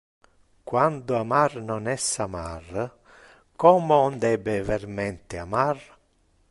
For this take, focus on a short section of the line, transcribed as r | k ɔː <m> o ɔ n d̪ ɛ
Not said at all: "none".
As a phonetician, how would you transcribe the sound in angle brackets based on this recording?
m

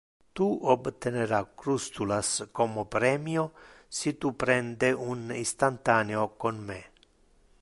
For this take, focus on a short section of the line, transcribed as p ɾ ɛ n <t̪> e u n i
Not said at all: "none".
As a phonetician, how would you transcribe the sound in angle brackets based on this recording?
d̪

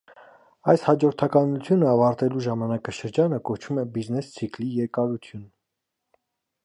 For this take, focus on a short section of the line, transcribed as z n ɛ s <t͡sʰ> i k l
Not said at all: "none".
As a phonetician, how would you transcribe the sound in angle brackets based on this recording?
t͡sʰ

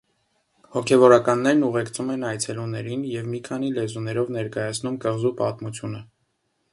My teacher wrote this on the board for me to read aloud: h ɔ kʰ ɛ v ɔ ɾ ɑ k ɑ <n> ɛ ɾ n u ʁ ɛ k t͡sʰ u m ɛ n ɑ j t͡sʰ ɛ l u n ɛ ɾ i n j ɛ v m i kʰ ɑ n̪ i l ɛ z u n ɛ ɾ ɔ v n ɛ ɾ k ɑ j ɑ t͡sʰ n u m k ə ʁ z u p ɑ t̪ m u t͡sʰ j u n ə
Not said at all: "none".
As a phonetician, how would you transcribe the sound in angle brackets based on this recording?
nː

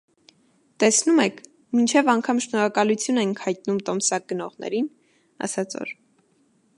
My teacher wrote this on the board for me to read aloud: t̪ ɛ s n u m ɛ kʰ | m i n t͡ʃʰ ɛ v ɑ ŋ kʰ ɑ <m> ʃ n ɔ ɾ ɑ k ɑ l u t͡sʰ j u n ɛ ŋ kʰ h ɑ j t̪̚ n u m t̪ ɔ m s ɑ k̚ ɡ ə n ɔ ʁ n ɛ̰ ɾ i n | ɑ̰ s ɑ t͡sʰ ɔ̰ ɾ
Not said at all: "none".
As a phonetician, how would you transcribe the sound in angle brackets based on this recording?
m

